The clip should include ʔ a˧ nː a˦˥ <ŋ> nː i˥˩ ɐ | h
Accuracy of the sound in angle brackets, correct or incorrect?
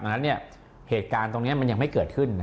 incorrect